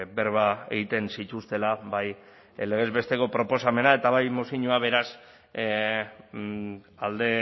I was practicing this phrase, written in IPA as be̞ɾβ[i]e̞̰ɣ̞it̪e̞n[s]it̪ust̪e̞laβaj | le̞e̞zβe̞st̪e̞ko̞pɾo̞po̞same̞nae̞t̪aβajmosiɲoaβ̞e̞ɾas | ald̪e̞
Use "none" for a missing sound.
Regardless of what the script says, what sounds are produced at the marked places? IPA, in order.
a, s

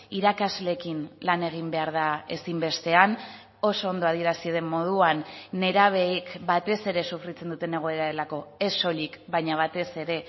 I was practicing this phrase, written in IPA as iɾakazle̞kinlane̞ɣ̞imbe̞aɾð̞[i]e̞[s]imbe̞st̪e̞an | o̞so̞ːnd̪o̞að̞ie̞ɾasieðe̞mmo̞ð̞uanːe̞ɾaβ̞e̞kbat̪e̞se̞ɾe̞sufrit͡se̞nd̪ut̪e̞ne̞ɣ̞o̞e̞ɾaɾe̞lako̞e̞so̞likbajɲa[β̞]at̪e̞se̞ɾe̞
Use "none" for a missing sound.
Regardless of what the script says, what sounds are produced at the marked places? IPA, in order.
a, s, β̞

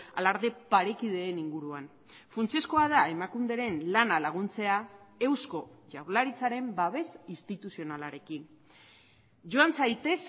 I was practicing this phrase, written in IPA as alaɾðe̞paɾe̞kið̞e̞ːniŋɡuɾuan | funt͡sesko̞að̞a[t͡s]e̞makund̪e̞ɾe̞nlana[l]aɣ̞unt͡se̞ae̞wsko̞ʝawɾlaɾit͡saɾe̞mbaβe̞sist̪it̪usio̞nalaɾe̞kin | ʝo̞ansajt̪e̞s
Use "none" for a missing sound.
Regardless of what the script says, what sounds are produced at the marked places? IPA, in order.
none, l

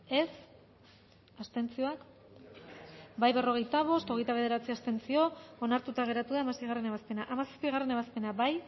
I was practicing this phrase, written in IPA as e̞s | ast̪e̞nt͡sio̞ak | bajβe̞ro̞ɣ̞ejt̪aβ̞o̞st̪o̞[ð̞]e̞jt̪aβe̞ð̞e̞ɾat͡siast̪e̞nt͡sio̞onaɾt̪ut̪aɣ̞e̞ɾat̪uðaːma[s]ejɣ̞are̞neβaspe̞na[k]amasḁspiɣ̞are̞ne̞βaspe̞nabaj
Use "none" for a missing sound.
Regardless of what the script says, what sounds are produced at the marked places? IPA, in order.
ɣ̞, s, ʔ

